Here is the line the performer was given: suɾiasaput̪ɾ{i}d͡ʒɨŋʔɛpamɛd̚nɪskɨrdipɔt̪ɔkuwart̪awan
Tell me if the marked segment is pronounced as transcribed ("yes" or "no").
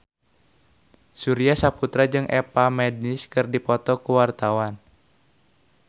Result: no